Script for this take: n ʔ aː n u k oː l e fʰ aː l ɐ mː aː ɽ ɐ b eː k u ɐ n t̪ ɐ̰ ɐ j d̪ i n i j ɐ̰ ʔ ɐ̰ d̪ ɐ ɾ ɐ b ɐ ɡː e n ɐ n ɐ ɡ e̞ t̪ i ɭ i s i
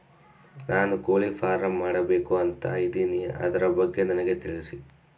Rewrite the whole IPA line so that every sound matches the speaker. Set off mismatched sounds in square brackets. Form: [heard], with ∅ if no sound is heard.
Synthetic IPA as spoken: n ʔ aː n u k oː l [i] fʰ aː [ɾ] ɐ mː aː ɽ ɐ b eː k u ɐ n t̪ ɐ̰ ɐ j d̪ i n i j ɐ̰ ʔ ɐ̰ d̪ ɐ ɾ ɐ b ɐ ɡː e n ɐ n ɐ ɡ e̞ t̪ i ɭ i s i